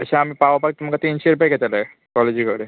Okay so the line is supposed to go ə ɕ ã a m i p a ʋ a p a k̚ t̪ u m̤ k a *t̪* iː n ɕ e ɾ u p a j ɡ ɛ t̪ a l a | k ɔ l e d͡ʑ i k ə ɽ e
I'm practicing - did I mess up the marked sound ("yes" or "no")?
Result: no